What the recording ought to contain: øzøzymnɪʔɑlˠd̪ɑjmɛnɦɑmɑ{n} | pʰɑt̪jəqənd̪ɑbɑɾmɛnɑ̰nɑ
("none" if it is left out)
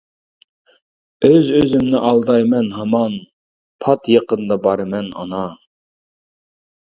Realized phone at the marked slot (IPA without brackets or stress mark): n